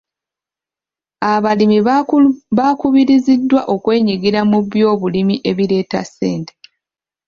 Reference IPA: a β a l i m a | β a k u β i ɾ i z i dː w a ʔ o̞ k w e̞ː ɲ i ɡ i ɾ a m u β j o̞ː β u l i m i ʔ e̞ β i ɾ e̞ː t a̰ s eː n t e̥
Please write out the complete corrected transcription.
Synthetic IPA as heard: a β a l i m i | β a k u β i ɾ i z i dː w a ʔ o̞ k w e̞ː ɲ i ɡ i ɾ a m u β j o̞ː β u l i m i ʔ e̞ β i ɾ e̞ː t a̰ s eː n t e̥